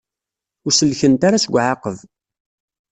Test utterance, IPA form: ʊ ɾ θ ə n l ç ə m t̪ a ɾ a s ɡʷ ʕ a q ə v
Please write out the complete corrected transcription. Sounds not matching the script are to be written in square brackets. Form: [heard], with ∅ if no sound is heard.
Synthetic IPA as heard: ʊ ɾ [s] ə [∅] l ç ə [n] t̪ a ɾ a s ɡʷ ʕ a q ə v